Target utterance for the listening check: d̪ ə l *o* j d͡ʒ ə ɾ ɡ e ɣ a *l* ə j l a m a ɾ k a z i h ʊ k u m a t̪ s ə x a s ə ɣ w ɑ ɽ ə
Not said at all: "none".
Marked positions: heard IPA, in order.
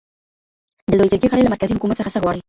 o, ɽ

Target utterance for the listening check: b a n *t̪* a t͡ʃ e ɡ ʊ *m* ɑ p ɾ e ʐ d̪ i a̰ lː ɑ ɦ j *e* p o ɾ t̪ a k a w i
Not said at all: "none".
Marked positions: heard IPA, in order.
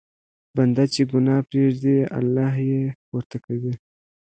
d̪, n, e

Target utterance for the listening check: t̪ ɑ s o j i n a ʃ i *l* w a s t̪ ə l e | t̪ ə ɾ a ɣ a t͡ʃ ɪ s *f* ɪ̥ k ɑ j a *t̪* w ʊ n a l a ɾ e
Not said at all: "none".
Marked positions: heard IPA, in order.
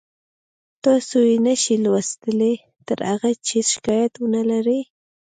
l, ʃ, t̪

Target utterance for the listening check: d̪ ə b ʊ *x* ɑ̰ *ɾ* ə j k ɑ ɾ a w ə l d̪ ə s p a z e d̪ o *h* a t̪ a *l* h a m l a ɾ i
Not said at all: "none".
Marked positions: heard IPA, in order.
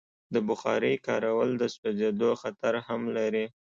x, ɾ, x, ɾ

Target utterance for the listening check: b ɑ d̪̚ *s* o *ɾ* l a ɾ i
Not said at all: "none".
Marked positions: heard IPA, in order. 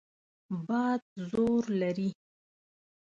z, ɾ

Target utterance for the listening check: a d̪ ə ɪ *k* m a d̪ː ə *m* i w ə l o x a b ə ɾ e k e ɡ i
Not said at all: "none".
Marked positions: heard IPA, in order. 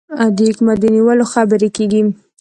k, n

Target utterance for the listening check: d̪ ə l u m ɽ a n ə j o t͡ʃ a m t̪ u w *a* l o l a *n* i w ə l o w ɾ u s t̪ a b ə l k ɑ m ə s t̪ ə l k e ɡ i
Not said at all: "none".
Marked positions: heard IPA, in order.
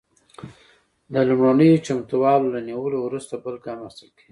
ɑ, n

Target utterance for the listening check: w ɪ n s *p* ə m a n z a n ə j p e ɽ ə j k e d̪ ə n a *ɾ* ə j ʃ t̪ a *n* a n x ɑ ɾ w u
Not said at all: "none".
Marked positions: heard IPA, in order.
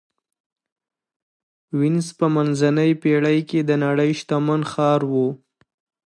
p, ɽ, m

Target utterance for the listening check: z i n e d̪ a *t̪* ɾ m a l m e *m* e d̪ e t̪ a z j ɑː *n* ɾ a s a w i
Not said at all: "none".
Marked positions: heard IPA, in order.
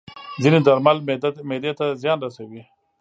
none, m, n

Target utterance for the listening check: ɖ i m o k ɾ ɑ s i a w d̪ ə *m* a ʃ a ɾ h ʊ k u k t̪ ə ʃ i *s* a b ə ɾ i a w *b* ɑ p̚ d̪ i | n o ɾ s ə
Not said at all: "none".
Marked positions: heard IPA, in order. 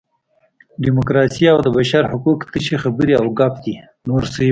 b, x, ɡ

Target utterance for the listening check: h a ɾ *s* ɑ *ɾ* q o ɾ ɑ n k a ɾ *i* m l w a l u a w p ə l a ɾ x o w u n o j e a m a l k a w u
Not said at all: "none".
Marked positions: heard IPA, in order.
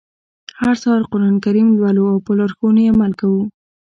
s, ɾ, i

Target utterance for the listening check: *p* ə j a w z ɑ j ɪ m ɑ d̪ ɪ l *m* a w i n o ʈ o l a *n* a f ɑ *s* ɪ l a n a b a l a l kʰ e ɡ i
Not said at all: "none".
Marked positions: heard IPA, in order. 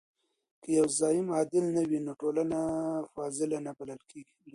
k, n, n, z

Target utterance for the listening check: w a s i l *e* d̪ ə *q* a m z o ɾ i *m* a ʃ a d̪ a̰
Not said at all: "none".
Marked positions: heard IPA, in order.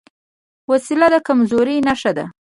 a, k, n

